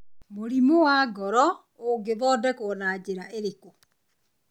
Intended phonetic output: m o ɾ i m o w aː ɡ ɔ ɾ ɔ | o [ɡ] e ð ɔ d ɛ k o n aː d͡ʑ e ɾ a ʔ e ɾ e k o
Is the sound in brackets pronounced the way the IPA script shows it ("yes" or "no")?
yes